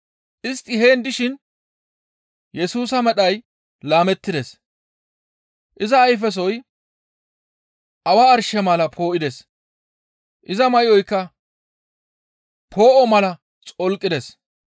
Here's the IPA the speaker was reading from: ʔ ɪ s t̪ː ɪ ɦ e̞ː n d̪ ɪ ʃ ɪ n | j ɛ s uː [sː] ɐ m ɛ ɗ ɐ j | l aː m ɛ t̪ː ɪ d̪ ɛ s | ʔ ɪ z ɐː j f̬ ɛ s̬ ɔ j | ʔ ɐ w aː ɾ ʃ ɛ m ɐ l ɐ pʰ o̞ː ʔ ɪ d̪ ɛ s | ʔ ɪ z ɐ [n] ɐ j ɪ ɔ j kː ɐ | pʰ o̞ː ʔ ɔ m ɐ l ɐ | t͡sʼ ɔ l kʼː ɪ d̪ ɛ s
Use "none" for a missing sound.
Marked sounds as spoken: s, m

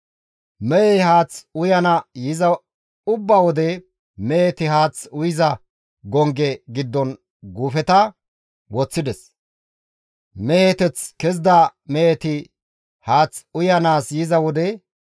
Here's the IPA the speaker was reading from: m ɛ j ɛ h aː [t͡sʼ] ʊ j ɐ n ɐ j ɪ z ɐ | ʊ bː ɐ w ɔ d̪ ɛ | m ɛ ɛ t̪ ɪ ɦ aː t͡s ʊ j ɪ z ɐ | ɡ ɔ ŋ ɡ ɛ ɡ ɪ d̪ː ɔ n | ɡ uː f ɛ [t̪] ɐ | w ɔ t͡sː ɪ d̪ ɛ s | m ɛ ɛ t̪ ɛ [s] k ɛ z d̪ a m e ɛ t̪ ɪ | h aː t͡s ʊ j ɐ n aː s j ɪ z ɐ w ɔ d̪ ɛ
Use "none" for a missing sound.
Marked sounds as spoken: t͡s, t̪, t͡s

